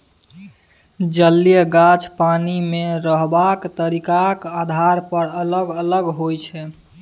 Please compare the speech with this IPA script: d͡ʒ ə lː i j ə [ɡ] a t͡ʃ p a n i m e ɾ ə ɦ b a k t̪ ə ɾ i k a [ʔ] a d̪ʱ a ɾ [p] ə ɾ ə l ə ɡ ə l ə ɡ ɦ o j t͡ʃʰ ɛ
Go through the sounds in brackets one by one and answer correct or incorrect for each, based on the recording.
correct, incorrect: k, correct

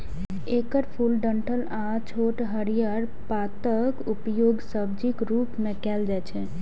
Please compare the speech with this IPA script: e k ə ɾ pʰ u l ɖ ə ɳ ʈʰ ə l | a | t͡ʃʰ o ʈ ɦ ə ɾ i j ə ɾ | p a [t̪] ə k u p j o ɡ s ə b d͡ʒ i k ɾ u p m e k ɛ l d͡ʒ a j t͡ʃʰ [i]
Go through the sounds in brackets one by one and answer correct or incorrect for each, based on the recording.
correct, incorrect: ɛ

